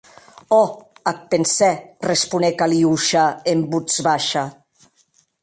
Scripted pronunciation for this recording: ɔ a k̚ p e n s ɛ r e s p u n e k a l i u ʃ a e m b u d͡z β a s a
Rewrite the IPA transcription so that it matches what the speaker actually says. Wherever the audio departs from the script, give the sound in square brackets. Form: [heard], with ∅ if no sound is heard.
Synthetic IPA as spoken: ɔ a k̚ p e n s ɛ r e s p u n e k a l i u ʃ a e m b u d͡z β a [ʃ] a